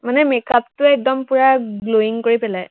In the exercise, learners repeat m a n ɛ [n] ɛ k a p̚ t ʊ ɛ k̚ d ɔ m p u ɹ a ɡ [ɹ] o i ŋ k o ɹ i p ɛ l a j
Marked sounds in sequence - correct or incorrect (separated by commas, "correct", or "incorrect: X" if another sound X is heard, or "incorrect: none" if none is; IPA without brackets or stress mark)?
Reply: incorrect: m, incorrect: l